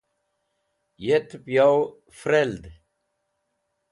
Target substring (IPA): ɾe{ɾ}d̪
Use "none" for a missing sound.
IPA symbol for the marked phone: l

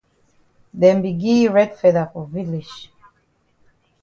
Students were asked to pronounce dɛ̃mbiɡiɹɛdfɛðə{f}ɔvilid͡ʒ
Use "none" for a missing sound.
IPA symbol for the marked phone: f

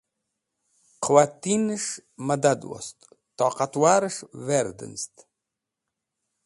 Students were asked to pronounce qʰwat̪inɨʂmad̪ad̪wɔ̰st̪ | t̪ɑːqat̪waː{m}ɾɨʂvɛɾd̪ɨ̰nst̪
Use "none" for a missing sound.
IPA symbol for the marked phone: none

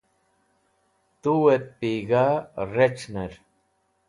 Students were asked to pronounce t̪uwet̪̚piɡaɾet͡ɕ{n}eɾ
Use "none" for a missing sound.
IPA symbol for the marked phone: n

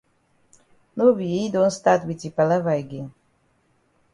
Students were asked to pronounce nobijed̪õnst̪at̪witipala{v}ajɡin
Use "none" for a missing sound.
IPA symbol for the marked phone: v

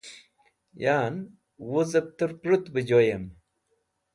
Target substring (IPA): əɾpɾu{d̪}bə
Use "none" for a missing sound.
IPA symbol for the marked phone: t̪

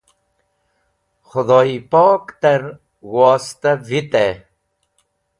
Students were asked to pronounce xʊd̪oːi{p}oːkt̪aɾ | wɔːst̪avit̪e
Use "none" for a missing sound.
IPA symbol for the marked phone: p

